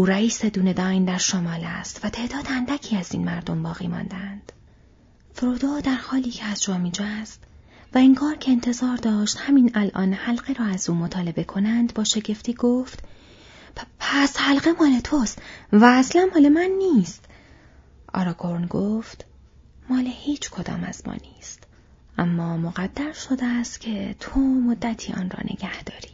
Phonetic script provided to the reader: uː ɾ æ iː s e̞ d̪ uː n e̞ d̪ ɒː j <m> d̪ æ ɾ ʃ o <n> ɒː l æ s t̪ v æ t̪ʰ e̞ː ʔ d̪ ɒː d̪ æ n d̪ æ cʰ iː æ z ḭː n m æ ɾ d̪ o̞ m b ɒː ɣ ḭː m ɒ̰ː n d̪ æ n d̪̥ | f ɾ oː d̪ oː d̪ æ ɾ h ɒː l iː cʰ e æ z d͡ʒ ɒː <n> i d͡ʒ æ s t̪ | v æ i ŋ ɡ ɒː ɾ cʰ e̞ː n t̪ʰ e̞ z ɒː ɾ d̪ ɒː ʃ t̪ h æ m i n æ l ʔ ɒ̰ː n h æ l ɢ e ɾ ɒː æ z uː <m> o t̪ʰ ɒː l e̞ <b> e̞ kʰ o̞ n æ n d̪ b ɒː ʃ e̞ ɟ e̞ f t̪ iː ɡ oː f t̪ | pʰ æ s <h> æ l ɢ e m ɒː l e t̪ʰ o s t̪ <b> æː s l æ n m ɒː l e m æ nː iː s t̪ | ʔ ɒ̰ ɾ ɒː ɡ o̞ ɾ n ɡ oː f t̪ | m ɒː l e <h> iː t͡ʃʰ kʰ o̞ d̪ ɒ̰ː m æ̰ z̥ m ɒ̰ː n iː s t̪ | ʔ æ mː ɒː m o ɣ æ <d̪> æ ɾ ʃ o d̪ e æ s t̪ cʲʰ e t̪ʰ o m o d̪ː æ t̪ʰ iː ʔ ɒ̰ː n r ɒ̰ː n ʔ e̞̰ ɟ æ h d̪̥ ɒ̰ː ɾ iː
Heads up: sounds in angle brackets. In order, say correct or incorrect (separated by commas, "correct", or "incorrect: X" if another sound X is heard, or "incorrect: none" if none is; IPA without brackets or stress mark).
incorrect: n, incorrect: m, incorrect: m, correct, correct, correct, incorrect: v, correct, incorrect: d̪ː